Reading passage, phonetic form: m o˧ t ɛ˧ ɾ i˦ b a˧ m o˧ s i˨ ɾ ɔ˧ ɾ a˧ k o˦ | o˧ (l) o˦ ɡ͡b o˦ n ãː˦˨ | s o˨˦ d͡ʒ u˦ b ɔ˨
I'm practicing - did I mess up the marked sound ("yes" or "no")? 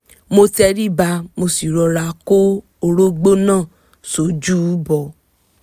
yes